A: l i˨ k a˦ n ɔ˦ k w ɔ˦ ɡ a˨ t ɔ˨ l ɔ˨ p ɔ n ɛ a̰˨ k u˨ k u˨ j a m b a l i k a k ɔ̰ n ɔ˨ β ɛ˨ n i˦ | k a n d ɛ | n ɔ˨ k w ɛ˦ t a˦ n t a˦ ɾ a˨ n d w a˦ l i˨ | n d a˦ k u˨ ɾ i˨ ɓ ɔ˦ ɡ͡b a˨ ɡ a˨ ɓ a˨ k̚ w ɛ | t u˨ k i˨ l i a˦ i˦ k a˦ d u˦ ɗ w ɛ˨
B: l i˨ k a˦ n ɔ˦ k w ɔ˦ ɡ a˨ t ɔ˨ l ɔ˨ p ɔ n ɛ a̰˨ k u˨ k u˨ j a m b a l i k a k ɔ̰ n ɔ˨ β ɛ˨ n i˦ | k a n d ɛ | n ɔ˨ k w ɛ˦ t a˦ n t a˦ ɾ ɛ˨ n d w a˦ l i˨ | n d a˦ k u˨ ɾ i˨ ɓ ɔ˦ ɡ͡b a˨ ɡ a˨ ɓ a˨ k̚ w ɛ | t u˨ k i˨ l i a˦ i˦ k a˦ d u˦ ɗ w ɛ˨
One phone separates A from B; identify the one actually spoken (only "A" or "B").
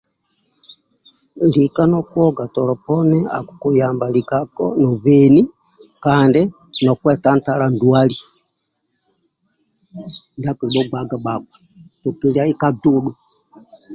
A